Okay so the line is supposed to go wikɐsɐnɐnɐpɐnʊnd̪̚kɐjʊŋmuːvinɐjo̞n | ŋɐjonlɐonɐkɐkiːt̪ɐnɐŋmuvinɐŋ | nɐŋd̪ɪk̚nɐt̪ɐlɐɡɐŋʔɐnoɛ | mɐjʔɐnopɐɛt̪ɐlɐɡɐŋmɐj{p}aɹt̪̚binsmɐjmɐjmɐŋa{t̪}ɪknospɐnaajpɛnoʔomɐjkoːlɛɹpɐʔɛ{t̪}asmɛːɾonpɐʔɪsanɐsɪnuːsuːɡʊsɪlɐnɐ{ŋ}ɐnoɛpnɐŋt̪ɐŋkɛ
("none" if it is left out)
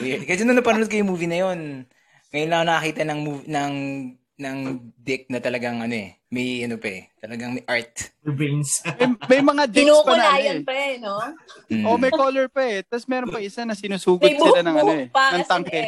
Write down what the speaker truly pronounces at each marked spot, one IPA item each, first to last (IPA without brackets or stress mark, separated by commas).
ʔ, d̪, t̪, ŋ